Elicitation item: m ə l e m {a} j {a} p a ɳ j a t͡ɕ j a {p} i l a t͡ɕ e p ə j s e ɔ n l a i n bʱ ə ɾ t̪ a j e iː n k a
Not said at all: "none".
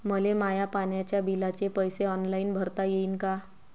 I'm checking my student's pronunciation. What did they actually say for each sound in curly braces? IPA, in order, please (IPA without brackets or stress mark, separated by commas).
a, a, b